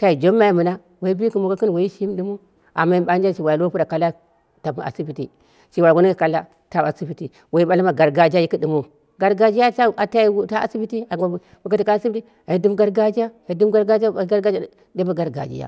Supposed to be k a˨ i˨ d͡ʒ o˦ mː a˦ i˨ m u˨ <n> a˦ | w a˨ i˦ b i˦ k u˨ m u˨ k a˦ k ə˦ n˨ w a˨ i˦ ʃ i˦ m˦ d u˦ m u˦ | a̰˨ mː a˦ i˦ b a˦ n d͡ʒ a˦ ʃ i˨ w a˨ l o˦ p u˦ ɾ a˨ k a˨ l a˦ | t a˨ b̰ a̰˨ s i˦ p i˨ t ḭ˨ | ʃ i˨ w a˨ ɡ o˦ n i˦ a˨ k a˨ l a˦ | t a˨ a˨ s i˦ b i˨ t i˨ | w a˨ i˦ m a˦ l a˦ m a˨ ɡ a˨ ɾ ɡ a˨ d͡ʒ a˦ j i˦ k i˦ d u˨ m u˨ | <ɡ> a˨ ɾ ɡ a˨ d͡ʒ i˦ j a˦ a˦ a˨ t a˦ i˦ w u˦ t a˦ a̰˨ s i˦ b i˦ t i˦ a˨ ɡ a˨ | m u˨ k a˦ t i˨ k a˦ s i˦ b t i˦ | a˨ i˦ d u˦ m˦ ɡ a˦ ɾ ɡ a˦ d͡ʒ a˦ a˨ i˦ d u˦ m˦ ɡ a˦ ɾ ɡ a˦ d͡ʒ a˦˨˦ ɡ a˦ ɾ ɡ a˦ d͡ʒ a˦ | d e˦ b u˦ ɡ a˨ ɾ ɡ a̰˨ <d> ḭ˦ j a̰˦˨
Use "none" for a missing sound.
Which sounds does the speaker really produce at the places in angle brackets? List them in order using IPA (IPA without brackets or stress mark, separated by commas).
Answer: n, ɡ, d͡ʒ